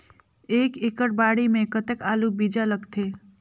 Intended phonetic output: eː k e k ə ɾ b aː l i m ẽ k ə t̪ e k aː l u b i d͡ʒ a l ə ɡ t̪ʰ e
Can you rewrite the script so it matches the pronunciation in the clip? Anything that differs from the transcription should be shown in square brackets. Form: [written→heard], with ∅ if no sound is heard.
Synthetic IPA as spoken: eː k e k ə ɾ b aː [l→ɽ] i m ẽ k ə t̪ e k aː l u b i d͡ʒ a l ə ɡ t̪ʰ e